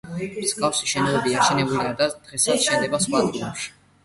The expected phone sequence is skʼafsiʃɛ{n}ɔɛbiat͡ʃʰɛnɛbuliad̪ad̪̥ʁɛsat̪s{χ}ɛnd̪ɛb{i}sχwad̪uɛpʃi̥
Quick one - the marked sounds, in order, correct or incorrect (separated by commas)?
correct, incorrect, incorrect